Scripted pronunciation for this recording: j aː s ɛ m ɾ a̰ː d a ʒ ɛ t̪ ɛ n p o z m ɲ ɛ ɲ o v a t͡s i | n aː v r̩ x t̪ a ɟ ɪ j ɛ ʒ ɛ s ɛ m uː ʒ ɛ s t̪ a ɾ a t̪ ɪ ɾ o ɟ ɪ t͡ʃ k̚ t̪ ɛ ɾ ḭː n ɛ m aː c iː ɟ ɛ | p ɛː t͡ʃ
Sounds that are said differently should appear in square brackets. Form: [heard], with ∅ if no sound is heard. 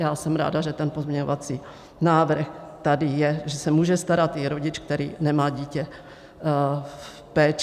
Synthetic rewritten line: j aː s ɛ m ɾ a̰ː d a ʒ ɛ t̪ ɛ n p o z m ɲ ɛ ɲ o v a t͡s i | n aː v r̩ x t̪ a [d] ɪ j ɛ ʒ ɛ s ɛ m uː ʒ ɛ s t̪ a ɾ a t̪ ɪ ɾ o ɟ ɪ t͡ʃ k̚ t̪ ɛ ɾ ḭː n ɛ m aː [ɟ] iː [c] ɛ | p ɛː t͡ʃ